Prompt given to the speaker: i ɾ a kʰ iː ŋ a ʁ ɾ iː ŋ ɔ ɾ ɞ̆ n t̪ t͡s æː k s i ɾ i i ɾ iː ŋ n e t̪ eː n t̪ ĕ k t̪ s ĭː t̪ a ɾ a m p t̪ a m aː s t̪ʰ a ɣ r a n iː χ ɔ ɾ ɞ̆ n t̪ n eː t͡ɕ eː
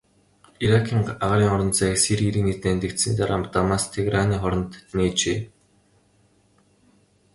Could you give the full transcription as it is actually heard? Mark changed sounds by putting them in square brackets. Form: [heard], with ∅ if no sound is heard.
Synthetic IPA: i ɾ a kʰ iː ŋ a ʁ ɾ iː ŋ ɔ ɾ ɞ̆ n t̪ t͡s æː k s i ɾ i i ɾ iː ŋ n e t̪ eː n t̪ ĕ k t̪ s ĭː t̪ a ɾ a m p t̪ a m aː s t̪ʰ [e] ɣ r a n iː χ ɔ ɾ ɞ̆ n t̪ n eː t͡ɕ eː